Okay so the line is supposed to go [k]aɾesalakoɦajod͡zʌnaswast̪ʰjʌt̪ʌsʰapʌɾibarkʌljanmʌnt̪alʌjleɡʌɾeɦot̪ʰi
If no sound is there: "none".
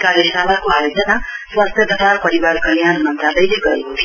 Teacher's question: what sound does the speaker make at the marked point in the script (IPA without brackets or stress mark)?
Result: k